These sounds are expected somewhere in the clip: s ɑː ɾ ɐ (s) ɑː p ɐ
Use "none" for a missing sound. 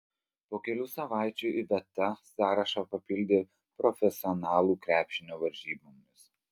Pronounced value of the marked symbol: ʃ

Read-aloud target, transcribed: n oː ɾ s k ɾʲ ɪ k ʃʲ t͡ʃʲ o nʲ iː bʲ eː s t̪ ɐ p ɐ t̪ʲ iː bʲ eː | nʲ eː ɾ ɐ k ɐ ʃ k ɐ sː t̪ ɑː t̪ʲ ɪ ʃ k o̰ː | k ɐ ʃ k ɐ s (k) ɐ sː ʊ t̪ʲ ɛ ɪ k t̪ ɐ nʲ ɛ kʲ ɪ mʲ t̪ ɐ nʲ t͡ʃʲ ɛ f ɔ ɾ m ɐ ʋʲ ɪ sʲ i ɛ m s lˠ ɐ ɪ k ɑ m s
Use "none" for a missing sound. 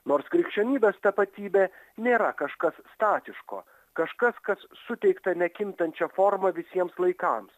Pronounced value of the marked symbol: k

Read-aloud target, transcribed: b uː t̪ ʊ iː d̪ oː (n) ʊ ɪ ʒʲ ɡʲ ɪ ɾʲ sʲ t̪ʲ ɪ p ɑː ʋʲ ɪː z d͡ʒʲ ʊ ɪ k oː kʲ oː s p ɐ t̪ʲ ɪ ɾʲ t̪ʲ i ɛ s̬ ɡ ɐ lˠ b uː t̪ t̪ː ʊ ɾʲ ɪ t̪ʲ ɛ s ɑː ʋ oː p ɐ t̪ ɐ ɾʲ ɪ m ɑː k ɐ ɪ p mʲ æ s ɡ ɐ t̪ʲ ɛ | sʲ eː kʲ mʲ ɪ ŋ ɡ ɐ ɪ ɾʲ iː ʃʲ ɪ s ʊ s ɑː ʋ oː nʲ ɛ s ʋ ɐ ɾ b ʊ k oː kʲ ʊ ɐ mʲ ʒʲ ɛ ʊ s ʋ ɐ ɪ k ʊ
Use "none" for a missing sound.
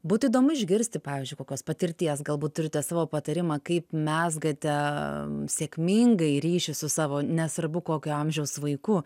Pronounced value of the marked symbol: m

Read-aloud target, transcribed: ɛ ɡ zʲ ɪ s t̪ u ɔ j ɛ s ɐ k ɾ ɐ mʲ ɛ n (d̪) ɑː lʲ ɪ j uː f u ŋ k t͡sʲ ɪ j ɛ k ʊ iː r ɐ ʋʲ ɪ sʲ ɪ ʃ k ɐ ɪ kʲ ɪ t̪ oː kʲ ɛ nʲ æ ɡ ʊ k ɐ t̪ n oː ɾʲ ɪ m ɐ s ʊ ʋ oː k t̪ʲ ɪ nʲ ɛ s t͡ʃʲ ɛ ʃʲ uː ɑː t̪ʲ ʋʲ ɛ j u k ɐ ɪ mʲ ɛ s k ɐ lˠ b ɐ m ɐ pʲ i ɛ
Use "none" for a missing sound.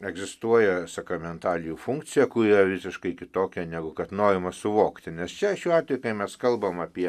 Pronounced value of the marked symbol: t̪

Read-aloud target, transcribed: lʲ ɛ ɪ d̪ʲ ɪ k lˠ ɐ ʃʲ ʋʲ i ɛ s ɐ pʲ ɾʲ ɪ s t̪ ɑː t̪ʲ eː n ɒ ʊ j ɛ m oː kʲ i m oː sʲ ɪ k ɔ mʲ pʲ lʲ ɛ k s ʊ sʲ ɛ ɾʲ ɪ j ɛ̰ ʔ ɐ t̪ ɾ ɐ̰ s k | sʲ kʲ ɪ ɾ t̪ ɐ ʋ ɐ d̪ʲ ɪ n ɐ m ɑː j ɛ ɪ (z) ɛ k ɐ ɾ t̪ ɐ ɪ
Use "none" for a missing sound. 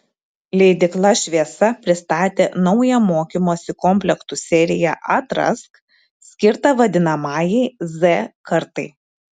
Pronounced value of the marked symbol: z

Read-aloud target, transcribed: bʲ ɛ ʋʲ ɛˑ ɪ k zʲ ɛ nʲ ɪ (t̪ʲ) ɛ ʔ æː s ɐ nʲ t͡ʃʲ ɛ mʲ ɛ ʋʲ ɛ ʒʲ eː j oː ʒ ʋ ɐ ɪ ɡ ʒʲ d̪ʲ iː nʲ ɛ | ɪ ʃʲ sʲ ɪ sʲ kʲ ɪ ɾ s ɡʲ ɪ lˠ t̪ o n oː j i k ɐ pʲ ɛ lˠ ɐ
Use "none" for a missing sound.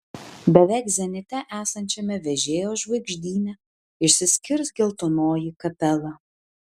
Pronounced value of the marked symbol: t̪ʲ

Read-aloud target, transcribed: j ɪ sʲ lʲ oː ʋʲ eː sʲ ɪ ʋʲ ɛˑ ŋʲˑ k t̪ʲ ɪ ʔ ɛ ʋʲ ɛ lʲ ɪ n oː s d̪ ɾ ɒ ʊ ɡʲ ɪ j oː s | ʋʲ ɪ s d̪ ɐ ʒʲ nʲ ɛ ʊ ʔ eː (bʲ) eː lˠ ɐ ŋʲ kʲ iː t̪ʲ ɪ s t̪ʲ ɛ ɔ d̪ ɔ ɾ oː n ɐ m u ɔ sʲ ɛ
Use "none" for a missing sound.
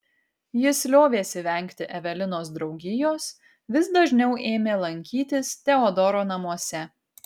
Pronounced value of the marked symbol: mʲ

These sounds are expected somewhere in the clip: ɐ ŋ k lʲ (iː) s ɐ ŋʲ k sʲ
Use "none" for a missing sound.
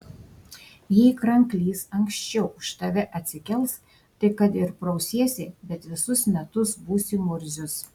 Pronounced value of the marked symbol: iː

